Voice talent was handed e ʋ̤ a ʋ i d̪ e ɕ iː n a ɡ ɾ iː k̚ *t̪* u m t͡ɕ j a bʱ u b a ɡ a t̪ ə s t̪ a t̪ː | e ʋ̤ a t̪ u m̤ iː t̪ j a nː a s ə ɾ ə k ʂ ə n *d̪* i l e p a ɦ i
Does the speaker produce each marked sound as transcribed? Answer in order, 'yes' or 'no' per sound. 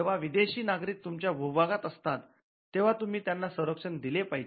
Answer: yes, yes

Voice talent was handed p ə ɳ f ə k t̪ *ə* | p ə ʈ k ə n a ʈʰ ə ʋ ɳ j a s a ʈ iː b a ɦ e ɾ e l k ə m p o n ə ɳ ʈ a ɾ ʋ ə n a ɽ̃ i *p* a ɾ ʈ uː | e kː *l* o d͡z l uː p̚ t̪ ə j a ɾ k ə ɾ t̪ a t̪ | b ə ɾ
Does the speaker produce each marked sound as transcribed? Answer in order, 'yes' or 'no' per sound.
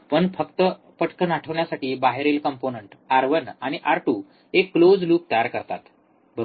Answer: yes, no, yes

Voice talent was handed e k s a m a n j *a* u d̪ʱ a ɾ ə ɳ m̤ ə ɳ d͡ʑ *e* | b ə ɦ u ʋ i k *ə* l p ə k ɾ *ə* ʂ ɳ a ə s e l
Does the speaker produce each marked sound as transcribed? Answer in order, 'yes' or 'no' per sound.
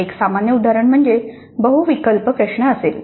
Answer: no, yes, yes, yes

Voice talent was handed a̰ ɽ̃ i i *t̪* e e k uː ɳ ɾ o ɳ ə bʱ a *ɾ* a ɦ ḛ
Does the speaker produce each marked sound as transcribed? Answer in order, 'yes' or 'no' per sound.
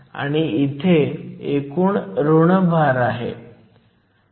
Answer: no, yes

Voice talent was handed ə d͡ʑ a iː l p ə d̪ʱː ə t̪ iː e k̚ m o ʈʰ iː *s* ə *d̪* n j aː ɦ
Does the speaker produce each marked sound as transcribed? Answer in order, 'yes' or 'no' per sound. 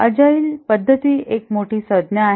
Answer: yes, yes

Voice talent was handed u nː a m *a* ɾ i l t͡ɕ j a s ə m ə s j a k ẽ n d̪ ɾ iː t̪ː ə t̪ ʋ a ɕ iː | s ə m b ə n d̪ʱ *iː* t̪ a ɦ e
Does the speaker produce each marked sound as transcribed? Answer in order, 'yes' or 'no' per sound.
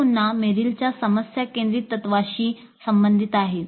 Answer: no, no

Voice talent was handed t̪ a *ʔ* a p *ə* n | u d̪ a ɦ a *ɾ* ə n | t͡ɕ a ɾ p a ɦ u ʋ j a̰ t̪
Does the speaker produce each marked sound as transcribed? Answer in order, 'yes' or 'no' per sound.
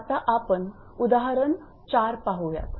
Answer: yes, yes, yes

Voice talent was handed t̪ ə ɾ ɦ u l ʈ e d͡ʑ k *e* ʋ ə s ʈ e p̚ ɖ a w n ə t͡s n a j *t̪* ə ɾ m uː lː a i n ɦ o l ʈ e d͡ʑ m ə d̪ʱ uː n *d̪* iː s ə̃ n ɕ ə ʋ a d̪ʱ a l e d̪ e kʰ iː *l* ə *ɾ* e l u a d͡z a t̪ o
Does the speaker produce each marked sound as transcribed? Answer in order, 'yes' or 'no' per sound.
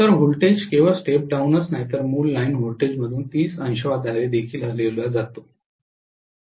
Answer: yes, yes, no, yes, no

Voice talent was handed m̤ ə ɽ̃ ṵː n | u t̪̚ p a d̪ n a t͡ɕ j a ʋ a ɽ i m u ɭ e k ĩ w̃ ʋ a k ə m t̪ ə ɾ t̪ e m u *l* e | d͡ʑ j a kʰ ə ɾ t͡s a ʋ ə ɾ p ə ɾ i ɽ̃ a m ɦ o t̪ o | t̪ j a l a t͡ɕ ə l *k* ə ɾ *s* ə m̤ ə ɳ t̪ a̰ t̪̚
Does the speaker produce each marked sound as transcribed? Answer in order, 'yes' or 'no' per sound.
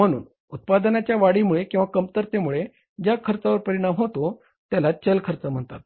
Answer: no, no, no

